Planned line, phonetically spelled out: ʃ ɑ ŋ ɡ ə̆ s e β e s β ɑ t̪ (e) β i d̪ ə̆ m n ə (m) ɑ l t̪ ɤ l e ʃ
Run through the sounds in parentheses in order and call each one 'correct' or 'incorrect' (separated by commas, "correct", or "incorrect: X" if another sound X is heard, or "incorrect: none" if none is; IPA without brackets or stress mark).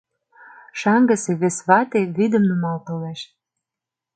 correct, correct